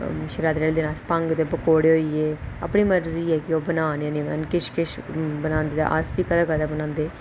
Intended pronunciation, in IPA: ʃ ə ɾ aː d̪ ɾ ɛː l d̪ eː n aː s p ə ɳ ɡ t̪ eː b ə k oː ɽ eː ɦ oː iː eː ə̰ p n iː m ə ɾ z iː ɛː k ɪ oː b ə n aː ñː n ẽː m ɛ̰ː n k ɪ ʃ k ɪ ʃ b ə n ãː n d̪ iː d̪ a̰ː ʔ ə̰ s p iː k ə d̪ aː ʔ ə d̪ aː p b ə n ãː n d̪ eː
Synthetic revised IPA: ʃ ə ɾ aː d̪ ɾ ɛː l d̪ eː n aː s p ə ŋ ɡ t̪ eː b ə k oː ɽ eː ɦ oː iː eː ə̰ p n iː m ə ɾ z iː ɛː k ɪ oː b ə n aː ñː n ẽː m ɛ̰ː n k ɪ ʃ k ɪ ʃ b ə n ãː n d̪ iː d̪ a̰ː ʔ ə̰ s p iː k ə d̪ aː k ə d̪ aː b ə n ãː n d̪ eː

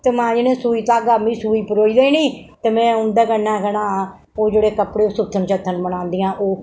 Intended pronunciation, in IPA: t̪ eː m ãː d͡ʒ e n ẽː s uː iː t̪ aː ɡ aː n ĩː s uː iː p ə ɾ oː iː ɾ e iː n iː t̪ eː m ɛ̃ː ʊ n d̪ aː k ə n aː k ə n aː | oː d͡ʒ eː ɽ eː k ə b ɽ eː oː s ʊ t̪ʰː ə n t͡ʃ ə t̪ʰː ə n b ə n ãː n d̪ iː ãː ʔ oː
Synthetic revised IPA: t̪ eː m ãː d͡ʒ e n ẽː s uː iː t̪ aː ɡ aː m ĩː s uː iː p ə ɾ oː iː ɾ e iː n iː t̪ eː m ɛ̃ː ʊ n d̪ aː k ə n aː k ə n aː | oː d͡ʒ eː ɽ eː k ə p ɽ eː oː s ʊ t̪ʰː ə n t͡ʃ ə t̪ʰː ə n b ə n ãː n d̪ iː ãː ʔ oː

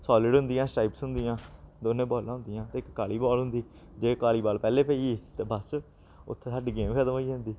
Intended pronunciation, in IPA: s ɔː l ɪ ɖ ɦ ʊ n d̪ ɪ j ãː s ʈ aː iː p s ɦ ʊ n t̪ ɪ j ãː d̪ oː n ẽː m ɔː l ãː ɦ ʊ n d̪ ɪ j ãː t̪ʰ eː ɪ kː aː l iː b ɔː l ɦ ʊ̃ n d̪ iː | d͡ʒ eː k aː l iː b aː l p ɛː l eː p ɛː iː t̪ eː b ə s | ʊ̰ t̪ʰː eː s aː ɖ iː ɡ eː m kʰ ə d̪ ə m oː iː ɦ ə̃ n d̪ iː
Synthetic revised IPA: s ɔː l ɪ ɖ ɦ ʊ n d̪ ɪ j ãː s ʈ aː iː p s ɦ ʊ n d̪ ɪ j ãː d̪ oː n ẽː b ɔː l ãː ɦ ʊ n d̪ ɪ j ãː t̪ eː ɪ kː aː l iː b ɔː l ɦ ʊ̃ n d̪ iː | d͡ʒ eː k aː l iː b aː l p ɛː l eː p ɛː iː t̪ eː b ə s | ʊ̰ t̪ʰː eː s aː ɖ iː ɡ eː m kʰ ə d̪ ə m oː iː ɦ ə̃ n d̪ iː

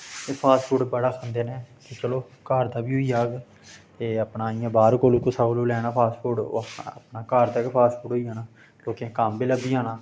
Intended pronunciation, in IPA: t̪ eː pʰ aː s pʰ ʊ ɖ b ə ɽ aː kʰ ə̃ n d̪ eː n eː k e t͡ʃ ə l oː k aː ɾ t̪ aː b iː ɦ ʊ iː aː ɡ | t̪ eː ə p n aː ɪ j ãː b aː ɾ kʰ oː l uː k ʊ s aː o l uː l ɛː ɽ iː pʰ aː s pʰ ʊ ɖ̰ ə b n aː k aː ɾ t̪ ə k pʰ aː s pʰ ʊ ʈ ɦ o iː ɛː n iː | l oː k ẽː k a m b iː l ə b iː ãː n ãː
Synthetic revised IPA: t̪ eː pʰ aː s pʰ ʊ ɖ b ə ɽ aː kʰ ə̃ n d̪ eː n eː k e t͡ʃ ə l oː k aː ɾ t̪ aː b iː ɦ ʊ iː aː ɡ | t̪ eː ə p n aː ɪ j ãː b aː ɾ k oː l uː k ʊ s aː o l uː l ɛː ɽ aː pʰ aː s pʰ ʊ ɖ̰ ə p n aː k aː ɾ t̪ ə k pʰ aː s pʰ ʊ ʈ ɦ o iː aː n aː | l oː k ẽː k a m b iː l ə b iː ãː n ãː

